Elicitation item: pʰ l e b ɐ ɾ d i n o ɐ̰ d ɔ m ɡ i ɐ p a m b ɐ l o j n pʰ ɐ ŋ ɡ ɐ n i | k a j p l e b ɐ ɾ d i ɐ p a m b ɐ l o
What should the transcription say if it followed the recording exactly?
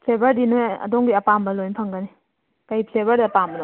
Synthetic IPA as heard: pʰ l e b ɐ ɾ d i n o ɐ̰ d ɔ ŋ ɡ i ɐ p a m b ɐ l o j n pʰ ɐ ŋ ɡ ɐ n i | k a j pʰ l e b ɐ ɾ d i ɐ p a m b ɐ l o

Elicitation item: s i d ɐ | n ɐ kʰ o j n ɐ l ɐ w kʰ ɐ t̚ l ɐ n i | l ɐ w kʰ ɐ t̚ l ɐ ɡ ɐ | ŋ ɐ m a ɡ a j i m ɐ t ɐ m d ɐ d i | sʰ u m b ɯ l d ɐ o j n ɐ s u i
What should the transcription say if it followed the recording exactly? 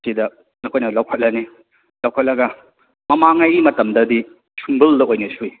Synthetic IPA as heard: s i d ɐ | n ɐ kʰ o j n ɐ l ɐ w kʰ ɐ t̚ l ɐ n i | l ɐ w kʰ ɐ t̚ l ɐ ɡ ɐ | m ɐ m a ŋ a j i m ɐ t ɐ m d ɐ d i | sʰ u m b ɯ l d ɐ o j n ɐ s u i

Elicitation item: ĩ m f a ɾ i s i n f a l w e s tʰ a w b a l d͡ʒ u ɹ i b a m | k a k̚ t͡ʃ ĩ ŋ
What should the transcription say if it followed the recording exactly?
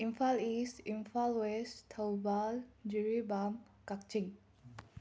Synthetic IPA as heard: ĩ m f a l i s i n f a l w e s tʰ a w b a l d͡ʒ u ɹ i b a m | k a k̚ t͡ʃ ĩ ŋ

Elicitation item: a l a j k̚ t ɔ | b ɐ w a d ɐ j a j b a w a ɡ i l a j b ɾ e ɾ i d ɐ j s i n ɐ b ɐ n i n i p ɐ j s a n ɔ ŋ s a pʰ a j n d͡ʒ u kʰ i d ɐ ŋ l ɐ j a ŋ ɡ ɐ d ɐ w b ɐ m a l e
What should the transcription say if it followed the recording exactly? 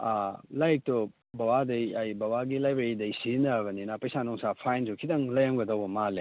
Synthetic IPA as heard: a l a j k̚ t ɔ | b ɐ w a d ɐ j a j b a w a ɡ i l a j b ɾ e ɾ i d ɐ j s i n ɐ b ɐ n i n a p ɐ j s a n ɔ ŋ s a pʰ a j n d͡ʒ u kʰ i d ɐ ŋ l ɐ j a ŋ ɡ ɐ d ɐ w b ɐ m a l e

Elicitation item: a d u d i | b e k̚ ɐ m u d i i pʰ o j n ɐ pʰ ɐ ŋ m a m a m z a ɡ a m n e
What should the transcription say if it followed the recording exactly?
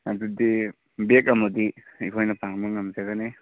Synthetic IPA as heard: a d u d i | b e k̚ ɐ m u d i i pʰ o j n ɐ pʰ a ŋ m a ŋ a m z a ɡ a n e

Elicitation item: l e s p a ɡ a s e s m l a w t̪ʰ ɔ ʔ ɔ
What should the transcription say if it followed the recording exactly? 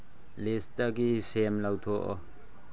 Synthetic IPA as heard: l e s t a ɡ i s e m l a w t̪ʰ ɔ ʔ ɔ

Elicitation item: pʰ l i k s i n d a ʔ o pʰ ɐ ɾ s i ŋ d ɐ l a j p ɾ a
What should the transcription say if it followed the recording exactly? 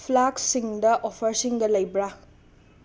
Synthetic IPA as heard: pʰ l a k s i ŋ d ɐ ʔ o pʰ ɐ ɾ s i ŋ ɡ ɐ l ɐ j b ɾ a

